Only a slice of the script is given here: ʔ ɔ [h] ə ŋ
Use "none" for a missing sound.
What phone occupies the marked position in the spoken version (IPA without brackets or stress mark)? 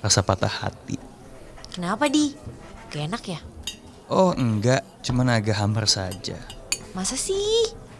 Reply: h